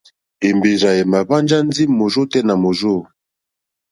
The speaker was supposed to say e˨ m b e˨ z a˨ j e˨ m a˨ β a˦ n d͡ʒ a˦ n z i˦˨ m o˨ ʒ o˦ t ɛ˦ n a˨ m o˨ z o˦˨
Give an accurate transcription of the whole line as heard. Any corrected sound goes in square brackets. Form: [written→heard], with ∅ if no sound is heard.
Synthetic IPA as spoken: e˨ m b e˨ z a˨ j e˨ m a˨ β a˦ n d͡ʒ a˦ n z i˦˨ m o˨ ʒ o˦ t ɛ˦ n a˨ m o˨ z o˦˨